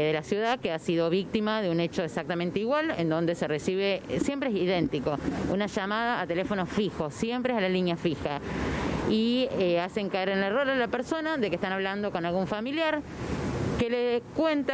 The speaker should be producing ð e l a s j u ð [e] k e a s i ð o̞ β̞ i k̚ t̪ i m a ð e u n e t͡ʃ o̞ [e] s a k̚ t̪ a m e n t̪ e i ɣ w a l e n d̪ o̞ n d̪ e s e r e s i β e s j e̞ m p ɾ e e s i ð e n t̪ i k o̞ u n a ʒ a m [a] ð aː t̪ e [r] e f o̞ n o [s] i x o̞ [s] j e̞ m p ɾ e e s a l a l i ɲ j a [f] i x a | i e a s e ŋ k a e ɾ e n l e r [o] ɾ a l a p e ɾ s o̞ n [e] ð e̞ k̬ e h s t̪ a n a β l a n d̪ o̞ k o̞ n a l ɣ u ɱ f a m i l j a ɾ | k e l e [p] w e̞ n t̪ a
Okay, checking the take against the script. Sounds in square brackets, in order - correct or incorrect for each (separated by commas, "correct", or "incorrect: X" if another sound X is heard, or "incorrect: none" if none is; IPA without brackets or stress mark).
incorrect: a, correct, correct, incorrect: l, incorrect: f, correct, correct, correct, incorrect: a, incorrect: k